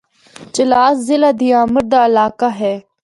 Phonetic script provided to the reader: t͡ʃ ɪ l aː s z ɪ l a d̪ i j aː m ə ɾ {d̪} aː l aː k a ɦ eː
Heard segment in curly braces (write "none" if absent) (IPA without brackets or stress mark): d̪